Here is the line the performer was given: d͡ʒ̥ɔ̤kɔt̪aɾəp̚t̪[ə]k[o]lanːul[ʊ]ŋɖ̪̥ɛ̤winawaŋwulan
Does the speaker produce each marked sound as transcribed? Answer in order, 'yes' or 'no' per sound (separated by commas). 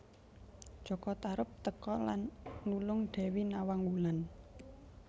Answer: yes, no, yes